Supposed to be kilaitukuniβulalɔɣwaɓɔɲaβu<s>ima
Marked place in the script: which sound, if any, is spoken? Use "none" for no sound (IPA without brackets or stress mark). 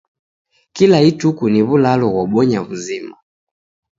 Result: z